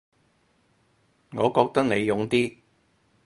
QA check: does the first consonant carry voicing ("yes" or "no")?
yes